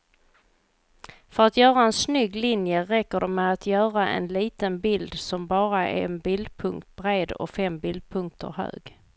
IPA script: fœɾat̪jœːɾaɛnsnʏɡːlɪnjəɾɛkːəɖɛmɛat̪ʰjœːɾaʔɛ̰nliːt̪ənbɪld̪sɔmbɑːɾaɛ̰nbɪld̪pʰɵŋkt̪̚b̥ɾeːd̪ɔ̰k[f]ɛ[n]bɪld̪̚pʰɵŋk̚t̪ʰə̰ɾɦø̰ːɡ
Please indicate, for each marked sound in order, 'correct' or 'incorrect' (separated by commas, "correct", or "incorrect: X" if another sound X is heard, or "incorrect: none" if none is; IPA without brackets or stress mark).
correct, incorrect: m